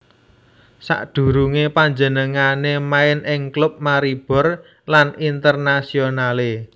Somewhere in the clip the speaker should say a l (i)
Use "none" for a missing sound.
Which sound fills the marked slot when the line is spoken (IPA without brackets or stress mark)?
e